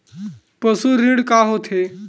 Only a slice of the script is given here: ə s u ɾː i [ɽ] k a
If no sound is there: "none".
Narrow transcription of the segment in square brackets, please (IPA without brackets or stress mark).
ɽ